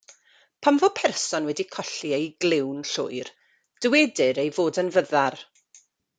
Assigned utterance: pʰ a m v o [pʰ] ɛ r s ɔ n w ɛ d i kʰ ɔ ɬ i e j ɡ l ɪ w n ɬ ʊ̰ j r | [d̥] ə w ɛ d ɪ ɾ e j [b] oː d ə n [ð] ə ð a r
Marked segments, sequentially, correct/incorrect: correct, correct, incorrect, incorrect

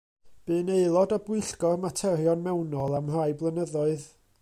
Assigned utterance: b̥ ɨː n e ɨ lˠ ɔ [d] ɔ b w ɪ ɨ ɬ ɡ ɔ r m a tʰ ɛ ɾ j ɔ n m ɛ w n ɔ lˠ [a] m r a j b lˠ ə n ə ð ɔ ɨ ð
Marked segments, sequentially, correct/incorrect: correct, correct

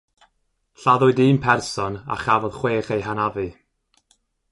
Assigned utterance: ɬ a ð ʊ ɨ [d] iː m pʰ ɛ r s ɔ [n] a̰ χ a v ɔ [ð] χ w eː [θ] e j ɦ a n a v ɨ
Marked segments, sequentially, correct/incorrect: correct, correct, correct, incorrect

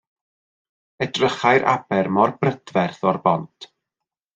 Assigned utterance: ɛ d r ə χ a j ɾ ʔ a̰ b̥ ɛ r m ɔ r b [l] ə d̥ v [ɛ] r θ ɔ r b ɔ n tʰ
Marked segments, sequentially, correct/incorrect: incorrect, correct

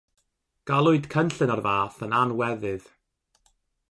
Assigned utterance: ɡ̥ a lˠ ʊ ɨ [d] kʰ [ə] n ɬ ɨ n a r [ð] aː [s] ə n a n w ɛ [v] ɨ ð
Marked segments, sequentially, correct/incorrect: correct, correct, incorrect, incorrect, incorrect

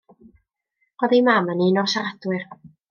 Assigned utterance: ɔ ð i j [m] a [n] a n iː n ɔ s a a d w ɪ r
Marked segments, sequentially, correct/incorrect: correct, incorrect

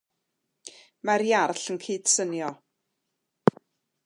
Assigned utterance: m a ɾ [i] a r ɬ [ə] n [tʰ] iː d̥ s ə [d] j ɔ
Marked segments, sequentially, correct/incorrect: incorrect, correct, incorrect, incorrect

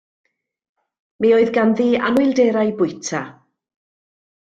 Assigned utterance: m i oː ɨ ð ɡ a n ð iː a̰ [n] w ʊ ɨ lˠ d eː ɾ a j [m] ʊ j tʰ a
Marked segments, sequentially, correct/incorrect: correct, incorrect

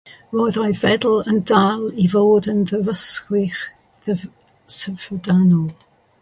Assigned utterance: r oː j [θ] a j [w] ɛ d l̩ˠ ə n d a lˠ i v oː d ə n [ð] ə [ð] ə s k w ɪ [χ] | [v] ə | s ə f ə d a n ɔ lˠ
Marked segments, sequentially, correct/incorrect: incorrect, incorrect, correct, incorrect, correct, incorrect

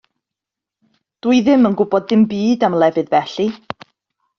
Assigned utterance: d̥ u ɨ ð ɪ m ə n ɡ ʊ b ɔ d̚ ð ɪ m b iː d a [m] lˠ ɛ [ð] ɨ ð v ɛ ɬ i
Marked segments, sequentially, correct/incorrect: correct, incorrect

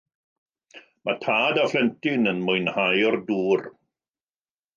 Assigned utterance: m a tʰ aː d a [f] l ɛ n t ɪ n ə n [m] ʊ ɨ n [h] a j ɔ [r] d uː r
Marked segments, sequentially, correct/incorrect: correct, correct, correct, correct

